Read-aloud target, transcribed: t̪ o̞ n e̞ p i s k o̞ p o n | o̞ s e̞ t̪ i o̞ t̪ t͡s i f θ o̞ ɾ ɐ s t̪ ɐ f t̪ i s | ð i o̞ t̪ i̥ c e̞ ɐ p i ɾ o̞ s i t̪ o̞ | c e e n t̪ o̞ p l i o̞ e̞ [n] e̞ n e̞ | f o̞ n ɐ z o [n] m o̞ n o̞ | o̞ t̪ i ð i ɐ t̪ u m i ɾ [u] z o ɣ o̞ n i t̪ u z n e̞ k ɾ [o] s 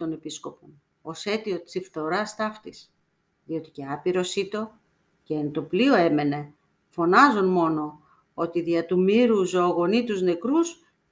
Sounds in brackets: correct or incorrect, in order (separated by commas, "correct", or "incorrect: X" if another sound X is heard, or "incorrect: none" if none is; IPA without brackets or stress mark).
incorrect: m, correct, correct, incorrect: u